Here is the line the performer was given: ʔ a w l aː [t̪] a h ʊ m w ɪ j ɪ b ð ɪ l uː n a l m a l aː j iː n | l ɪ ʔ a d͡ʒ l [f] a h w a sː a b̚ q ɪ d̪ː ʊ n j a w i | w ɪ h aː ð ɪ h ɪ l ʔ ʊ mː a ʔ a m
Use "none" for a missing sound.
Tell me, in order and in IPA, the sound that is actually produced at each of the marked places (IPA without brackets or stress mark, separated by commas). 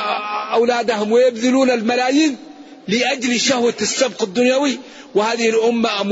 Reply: d̪, ʃ